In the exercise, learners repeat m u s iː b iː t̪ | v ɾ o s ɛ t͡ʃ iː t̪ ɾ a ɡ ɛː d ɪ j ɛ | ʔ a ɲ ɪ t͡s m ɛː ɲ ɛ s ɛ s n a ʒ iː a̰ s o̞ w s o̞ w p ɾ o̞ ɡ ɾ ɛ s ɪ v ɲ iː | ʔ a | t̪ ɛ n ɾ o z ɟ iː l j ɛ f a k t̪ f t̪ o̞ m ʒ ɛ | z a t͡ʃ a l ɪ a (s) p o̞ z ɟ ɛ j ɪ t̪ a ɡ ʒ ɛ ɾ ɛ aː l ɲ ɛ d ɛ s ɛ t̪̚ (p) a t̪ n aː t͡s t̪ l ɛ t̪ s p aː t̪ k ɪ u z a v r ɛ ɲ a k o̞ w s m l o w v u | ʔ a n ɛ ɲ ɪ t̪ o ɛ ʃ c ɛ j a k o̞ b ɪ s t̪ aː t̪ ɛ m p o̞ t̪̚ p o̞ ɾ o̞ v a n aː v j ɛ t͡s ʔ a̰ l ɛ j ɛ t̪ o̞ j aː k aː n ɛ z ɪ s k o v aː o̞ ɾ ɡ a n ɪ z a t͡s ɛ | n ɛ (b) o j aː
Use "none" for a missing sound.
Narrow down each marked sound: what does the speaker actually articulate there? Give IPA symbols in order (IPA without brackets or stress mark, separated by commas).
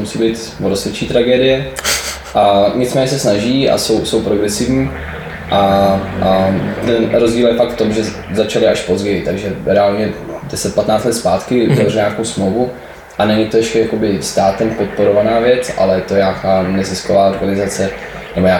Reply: ʃ, p, b